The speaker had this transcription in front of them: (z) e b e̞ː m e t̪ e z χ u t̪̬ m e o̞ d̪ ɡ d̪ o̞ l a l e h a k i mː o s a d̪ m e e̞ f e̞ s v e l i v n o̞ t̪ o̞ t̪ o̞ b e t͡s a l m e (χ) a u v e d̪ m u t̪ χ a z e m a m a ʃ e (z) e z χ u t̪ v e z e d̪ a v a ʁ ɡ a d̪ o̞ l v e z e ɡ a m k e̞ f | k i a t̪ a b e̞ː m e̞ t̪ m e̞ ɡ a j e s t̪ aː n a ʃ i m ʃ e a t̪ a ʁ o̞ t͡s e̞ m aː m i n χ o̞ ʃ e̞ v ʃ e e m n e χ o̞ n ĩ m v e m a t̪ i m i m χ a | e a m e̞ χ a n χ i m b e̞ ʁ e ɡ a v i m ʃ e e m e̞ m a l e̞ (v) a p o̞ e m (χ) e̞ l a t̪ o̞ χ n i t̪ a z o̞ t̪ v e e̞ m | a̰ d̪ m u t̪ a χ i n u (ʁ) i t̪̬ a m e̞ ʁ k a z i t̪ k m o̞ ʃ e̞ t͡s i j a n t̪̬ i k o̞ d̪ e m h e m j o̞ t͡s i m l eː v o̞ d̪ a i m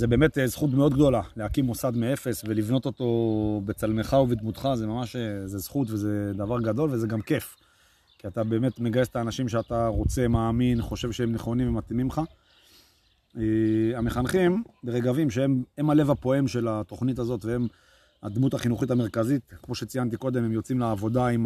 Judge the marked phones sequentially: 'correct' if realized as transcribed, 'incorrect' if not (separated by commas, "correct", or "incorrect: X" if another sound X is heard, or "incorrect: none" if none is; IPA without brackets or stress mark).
correct, correct, correct, correct, incorrect: ʃ, incorrect: χ